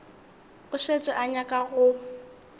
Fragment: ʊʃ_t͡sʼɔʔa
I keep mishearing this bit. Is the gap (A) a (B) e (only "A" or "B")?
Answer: B